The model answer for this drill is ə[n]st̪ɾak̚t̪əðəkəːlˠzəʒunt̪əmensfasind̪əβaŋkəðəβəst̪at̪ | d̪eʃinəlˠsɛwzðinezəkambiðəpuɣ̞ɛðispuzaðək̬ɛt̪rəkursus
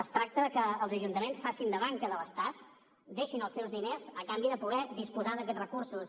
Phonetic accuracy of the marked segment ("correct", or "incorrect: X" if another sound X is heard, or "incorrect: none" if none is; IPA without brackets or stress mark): incorrect: none